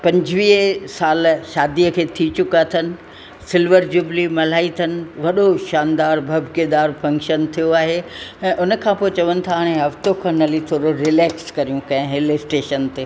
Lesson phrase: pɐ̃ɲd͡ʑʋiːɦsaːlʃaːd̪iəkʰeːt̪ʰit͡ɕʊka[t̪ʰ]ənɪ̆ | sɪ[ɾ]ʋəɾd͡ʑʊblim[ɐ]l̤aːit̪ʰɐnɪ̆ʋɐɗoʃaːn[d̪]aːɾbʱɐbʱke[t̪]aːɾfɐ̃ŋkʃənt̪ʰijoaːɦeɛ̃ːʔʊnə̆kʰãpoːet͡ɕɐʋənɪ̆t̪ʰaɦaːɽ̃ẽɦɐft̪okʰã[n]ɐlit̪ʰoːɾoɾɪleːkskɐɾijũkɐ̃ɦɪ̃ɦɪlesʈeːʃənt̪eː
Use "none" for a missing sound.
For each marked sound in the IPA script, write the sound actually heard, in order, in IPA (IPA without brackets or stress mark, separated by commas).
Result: t̪ʰ, l, ɐ, d̪, d̪, n